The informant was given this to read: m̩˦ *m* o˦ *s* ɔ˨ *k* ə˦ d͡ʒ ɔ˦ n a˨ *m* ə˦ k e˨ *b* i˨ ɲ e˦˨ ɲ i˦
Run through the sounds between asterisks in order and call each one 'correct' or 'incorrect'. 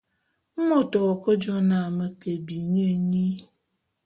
correct, incorrect: t, correct, correct, correct

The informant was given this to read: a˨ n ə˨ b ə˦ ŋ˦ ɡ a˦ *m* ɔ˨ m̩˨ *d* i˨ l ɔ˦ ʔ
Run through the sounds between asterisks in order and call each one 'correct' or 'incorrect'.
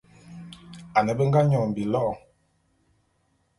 incorrect: ɲ, incorrect: b

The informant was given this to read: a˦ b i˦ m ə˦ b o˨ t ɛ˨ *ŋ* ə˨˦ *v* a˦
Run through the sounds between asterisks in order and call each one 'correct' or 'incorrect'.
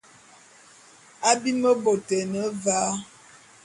incorrect: n, correct

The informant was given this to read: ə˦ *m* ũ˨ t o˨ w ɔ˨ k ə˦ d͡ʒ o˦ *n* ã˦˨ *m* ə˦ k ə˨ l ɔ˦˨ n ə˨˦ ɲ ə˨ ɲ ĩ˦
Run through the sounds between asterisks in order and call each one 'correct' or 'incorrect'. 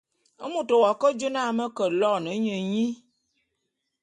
correct, correct, correct

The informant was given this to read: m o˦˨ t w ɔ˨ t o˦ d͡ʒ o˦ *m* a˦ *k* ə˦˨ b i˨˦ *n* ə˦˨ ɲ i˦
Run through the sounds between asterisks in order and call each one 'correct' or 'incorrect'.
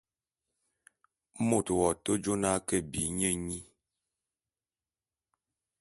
incorrect: n, correct, incorrect: ɲ

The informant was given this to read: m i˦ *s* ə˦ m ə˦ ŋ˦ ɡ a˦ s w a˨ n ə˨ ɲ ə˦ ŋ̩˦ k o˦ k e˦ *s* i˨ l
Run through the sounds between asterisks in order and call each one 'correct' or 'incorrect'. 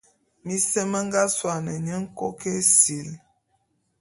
correct, correct

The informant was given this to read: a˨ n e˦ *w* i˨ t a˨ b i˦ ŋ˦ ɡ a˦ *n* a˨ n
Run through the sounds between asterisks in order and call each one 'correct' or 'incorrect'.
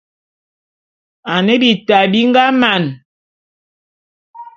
incorrect: b, incorrect: m

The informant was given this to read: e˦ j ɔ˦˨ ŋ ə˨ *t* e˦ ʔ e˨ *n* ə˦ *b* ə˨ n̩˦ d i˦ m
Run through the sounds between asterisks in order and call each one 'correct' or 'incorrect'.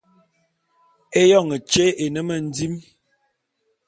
incorrect: t͡ʃ, correct, incorrect: m

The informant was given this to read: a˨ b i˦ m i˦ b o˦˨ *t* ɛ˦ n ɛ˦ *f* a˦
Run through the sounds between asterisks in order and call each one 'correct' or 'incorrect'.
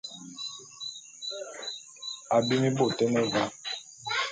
correct, incorrect: v

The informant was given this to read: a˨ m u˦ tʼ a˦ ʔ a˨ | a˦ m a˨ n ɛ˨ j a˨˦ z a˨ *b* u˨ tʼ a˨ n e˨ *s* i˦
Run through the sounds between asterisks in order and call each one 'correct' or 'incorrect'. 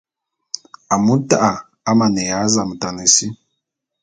incorrect: m, correct

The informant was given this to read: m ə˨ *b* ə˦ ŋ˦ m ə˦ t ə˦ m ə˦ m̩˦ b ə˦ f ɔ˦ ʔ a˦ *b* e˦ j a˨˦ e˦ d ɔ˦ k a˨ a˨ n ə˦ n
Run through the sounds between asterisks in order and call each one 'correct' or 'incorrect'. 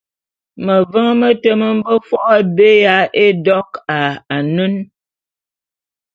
incorrect: v, correct

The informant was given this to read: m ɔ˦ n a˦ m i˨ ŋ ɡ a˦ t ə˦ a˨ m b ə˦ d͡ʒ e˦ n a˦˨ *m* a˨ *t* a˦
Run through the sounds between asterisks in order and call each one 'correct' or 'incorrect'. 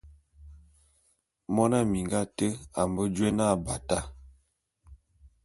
incorrect: b, correct

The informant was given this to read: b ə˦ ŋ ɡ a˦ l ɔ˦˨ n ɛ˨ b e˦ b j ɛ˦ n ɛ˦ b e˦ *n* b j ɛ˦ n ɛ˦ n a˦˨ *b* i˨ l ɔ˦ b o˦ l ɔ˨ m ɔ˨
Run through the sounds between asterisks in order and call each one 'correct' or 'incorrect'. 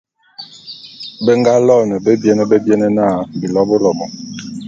incorrect: none, correct

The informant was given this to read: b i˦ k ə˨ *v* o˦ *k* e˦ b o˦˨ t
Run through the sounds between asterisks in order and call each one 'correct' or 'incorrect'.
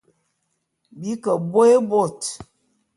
incorrect: b, incorrect: none

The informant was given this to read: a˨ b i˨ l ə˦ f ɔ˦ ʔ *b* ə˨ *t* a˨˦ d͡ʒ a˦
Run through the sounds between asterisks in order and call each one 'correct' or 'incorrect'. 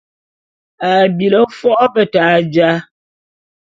correct, correct

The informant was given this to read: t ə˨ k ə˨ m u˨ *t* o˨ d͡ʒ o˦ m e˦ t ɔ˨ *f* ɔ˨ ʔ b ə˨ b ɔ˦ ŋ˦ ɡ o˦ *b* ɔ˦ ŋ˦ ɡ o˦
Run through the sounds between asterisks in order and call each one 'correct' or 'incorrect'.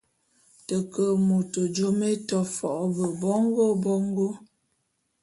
correct, correct, correct

